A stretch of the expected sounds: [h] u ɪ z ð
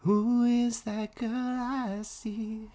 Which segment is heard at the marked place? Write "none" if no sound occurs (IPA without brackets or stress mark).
h